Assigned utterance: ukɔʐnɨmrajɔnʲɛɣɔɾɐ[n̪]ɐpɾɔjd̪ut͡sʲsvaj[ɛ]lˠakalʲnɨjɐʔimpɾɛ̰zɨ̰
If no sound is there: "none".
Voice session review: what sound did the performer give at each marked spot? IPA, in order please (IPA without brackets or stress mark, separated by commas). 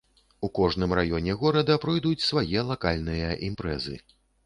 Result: d̪, ɛ